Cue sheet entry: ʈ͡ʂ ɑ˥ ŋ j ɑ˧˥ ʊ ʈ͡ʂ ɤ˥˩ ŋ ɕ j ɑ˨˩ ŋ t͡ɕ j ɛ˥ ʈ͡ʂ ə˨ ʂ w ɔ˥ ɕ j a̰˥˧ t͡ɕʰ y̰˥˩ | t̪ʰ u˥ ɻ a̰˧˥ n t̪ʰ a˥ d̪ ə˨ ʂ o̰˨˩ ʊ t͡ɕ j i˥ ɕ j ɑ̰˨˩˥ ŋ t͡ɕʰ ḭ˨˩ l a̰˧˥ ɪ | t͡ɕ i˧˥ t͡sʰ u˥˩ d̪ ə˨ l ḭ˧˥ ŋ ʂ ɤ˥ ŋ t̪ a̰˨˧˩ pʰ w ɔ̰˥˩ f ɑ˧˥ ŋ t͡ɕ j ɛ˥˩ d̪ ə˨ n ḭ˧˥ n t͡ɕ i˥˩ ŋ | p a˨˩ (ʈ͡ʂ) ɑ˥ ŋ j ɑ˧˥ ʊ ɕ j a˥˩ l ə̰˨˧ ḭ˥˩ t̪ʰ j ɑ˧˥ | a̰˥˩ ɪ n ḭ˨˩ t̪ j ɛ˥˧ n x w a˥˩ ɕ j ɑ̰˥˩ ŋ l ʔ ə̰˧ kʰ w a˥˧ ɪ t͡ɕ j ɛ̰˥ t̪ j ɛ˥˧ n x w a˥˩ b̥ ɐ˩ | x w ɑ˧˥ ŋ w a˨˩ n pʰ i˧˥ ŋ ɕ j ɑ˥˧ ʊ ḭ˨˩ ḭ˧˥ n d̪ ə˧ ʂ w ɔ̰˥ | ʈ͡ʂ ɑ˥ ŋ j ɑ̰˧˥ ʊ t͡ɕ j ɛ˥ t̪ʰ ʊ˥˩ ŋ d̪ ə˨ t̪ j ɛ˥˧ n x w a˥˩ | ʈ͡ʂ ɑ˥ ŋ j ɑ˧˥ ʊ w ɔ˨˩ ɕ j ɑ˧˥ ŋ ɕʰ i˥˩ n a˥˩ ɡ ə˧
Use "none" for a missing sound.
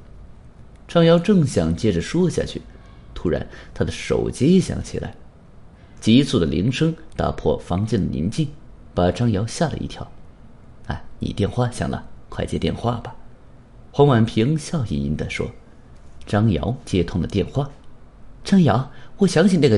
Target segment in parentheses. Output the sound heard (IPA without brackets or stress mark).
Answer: ʈ͡ʂ